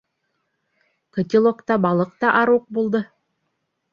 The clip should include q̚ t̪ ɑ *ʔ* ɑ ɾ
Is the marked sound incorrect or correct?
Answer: correct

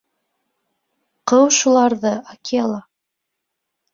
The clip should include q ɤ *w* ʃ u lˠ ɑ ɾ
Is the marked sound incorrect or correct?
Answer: correct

